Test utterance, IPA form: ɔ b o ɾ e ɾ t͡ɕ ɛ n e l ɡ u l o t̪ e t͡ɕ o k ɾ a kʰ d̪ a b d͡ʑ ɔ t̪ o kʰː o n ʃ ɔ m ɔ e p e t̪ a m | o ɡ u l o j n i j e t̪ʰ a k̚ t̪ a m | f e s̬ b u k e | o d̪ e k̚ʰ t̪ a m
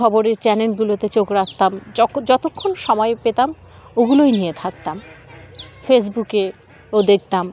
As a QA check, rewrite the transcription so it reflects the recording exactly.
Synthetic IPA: ɔ b o ɾ e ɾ t͡ɕ ɛ n e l ɡ u l o t̪ e t͡ɕ o k ɾ a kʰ t̪ a m d͡ʑ ɔ t̪ o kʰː o n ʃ ɔ m ɔ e p e t̪ a m | o ɡ u l o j n i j e t̪ʰ a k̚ t̪ a m | f e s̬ b u k e | o d̪ e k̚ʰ t̪ a m